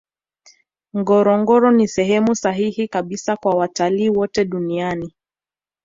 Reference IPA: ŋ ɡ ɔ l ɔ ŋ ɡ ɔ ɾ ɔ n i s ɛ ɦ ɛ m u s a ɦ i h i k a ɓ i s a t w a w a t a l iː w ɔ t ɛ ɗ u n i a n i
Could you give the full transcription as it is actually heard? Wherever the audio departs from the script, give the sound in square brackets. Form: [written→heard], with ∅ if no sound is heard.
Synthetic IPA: ŋ ɡ ɔ [l→ɾ] ɔ ŋ ɡ ɔ ɾ ɔ n i s ɛ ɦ ɛ m u s a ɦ i h i k a ɓ i s a [t→k] w a w a t a l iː w ɔ t ɛ ɗ u n i a n i